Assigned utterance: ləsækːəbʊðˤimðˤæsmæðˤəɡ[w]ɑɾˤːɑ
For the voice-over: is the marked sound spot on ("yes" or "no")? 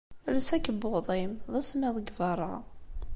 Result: no